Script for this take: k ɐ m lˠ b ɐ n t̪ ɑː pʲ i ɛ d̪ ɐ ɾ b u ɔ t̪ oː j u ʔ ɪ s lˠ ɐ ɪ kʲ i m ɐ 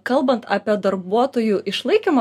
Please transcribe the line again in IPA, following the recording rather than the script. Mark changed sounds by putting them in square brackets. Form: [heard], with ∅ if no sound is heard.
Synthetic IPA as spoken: k ɐ [∅] lˠ b ɐ n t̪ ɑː pʲ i ɛ d̪ ɐ ɾ b u ɔ t̪ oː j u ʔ ɪ [ʃ] lˠ ɐ ɪ kʲ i m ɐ

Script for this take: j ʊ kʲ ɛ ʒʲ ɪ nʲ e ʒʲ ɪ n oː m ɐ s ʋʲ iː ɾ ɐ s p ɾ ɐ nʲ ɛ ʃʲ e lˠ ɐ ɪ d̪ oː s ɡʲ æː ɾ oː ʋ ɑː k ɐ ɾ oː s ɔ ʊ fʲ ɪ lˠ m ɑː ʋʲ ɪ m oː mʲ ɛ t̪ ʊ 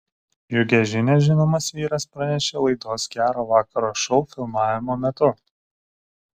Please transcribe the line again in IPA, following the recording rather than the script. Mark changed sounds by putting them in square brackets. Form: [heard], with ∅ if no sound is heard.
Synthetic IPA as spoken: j ʊ [ɡʲ] ɛ ʒʲ ɪ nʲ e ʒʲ ɪ n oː m ɐ s ʋʲ iː ɾ ɐ s p ɾ ɐ nʲ ɛ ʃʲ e lˠ ɐ ɪ d̪ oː s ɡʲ æː ɾ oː ʋ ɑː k ɐ ɾ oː [ʃ] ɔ ʊ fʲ ɪ lˠ m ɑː ʋʲ ɪ m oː mʲ ɛ t̪ ʊ

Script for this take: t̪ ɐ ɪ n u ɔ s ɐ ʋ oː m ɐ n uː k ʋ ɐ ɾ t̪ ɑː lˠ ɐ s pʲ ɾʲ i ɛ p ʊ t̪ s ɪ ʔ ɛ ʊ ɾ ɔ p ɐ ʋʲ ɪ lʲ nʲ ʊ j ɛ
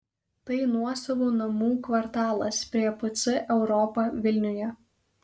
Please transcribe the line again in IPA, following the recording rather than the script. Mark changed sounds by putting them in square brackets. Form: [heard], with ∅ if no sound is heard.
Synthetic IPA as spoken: t̪ ɐ ɪ n u ɔ s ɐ ʋ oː [n] ɐ [m] uː k ʋ ɐ ɾ t̪ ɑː lˠ ɐ s pʲ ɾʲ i ɛ p ʊ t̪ s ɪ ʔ ɛ ʊ ɾ ɔ p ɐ ʋʲ ɪ lʲ nʲ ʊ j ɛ

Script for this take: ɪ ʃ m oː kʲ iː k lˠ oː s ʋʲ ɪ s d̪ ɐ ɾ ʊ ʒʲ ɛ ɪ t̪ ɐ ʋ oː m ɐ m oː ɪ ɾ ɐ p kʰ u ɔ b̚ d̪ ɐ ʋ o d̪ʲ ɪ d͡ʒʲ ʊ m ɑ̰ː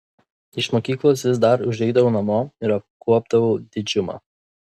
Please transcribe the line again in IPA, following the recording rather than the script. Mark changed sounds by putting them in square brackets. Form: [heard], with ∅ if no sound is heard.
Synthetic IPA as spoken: ɪ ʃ m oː kʲ iː k lˠ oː s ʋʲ ɪ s d̪ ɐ ɾ ʊ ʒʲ ɛ ɪ [d̪] ɐ ʋ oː [n] ɐ m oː ɪ ɾ ɐ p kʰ u ɔ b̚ d̪ ɐ ʋ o d̪ʲ ɪ d͡ʒʲ ʊ m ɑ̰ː

